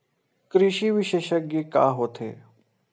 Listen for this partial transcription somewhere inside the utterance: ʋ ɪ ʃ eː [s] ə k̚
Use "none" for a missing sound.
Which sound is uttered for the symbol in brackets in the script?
ʃ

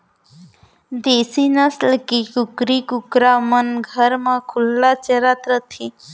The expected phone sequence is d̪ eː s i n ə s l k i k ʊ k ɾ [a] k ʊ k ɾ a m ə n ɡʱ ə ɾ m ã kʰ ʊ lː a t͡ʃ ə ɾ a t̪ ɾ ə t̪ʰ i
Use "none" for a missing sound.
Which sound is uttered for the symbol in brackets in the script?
i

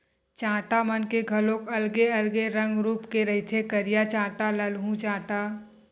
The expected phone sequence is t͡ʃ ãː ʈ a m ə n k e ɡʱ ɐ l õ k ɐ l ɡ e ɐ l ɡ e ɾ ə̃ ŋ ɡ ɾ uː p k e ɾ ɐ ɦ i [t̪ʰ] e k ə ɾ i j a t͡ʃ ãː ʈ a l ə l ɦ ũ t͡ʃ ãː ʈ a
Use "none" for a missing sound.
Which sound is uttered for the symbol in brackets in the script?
t̪ʰ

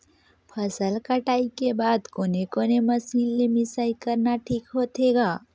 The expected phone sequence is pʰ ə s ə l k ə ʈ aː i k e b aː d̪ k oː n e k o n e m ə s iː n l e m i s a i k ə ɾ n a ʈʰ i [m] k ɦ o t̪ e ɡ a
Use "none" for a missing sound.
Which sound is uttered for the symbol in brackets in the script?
none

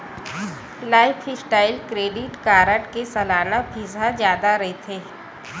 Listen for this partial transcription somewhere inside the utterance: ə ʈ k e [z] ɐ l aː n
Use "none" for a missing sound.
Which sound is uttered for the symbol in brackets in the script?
s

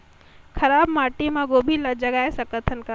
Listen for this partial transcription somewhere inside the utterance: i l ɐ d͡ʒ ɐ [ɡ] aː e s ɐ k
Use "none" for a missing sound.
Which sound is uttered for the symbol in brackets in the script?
ɡ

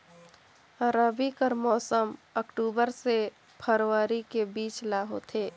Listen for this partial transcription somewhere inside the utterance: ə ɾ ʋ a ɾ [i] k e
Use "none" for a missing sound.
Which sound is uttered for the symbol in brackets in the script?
i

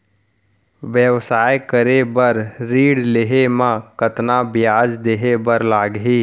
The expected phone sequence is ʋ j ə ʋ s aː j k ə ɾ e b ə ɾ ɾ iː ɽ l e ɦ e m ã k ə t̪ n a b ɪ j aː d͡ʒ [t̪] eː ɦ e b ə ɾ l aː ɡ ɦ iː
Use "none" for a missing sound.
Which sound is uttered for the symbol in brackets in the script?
d̪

